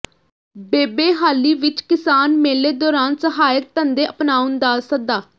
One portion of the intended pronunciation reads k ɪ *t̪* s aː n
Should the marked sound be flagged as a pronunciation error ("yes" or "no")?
yes